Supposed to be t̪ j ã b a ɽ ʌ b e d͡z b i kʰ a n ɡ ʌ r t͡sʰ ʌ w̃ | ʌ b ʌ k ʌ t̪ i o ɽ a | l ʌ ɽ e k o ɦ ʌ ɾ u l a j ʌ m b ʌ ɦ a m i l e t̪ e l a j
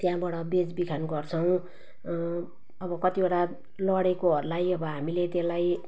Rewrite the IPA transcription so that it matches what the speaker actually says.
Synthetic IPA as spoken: t̪ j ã b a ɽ ʌ b e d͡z b i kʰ a n ɡ ʌ r t͡sʰ ʌ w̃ | ʌ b ʌ k ʌ t̪ i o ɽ a | l ʌ ɽ e k o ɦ ʌ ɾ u l a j ʌ b ʌ ɦ a m i l e t̪ e l a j